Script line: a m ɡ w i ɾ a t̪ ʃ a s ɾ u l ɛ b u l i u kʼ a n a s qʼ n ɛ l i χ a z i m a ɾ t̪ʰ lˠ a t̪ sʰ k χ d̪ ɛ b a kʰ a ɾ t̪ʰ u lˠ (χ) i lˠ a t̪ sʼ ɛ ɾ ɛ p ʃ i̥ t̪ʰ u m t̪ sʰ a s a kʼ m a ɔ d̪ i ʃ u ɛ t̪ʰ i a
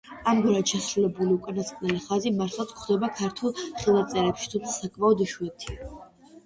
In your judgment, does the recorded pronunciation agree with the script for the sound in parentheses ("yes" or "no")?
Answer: yes